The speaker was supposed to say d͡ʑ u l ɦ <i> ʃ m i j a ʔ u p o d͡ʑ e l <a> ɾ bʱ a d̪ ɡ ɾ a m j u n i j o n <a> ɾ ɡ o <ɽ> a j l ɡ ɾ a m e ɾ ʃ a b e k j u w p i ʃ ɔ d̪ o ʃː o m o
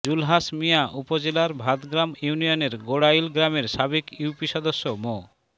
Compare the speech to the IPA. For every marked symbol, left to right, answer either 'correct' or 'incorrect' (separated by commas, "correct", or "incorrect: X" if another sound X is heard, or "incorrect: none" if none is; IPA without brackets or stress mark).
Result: incorrect: a, correct, incorrect: e, correct